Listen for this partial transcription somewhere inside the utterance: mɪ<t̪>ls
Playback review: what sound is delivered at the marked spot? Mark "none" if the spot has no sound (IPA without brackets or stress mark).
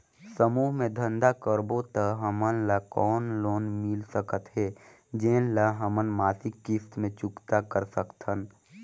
none